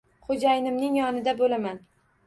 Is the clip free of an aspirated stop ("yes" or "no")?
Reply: yes